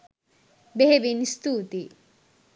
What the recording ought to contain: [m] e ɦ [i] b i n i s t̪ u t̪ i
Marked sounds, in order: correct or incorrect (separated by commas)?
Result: incorrect, incorrect